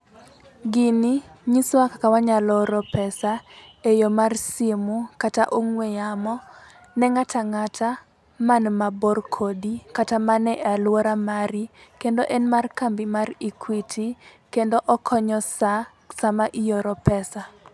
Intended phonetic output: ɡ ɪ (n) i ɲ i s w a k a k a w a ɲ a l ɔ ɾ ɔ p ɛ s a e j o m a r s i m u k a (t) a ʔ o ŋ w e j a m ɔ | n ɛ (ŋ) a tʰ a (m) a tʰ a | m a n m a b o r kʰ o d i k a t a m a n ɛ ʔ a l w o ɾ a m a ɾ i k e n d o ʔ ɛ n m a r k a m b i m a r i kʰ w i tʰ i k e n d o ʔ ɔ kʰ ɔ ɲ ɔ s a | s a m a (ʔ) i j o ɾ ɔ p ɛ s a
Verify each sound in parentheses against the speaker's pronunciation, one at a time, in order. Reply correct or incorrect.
correct, correct, correct, incorrect, correct

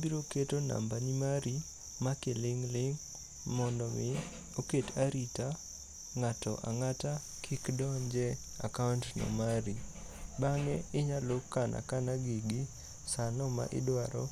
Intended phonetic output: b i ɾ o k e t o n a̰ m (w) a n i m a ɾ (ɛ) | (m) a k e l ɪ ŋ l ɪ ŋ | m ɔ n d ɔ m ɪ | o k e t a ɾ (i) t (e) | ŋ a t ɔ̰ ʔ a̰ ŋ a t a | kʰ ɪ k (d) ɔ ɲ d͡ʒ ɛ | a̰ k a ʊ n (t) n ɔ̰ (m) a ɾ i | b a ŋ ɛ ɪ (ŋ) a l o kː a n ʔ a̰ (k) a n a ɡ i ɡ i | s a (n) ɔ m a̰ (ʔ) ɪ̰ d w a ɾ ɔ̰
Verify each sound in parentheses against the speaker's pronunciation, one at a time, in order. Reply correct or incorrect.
incorrect, incorrect, correct, correct, incorrect, correct, correct, correct, incorrect, correct, correct, correct

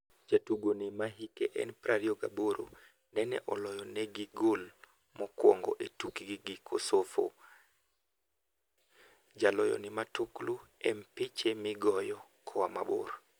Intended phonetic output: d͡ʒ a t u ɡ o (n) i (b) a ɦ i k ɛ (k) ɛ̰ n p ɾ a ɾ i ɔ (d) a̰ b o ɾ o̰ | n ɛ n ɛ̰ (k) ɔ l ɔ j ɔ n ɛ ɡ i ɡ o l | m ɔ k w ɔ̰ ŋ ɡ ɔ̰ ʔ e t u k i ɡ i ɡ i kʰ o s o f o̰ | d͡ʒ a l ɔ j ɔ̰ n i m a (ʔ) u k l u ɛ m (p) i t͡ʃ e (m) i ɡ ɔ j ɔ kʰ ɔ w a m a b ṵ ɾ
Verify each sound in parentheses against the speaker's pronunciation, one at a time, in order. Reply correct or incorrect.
correct, incorrect, incorrect, incorrect, incorrect, incorrect, correct, correct

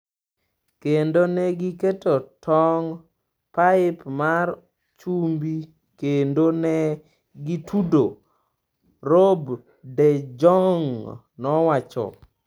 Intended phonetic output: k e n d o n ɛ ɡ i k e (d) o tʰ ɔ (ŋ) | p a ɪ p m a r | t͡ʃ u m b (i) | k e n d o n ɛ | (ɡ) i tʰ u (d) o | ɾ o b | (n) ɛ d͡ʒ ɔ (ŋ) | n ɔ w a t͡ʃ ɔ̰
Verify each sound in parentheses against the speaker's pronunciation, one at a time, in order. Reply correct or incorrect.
incorrect, correct, correct, correct, correct, incorrect, correct

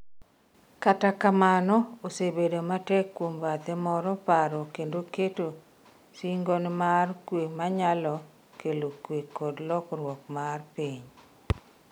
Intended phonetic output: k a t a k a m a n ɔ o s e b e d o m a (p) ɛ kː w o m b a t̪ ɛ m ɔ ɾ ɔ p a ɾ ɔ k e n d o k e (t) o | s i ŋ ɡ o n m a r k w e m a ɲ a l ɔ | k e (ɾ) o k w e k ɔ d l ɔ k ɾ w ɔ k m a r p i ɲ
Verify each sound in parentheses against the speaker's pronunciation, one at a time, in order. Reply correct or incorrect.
incorrect, correct, incorrect

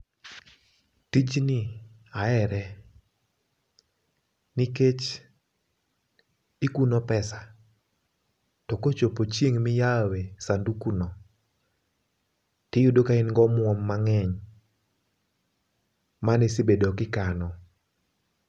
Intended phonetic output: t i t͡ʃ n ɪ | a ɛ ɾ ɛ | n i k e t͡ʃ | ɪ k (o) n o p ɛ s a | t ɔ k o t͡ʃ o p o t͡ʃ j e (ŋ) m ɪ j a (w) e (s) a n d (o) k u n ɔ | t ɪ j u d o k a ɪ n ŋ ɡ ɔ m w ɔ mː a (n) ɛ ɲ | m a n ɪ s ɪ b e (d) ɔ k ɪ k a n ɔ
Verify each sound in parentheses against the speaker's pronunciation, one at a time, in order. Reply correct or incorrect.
incorrect, correct, correct, correct, incorrect, incorrect, correct

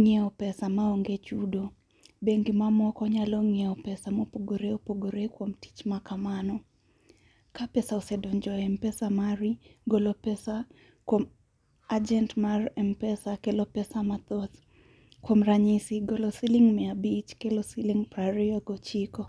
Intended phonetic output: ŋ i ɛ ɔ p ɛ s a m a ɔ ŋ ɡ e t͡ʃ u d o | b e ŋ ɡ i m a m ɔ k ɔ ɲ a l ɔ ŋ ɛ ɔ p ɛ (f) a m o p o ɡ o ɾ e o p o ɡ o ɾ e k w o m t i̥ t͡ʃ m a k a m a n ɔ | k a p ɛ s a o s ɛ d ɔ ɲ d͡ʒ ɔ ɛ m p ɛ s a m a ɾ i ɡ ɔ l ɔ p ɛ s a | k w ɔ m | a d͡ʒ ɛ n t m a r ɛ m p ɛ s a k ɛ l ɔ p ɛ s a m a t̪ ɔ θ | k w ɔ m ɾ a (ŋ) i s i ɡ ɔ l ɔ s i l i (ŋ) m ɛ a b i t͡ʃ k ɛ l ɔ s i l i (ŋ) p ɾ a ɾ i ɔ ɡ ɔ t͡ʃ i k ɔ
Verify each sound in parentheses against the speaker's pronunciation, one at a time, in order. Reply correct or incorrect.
incorrect, incorrect, correct, correct

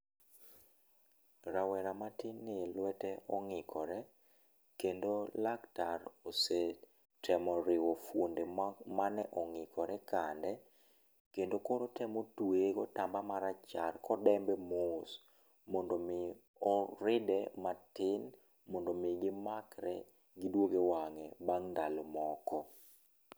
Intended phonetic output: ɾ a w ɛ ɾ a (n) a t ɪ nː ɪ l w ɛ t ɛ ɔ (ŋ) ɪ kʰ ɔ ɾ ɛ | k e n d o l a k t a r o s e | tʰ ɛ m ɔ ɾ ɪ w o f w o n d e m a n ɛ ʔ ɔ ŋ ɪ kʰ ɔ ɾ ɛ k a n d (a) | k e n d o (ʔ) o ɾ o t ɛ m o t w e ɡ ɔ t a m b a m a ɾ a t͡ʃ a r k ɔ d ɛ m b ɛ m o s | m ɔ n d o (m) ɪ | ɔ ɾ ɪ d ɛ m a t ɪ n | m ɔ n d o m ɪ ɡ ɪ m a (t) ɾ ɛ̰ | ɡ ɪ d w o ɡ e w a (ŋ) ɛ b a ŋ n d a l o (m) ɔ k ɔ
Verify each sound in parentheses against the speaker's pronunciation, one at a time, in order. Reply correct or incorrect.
incorrect, correct, incorrect, incorrect, correct, incorrect, correct, correct

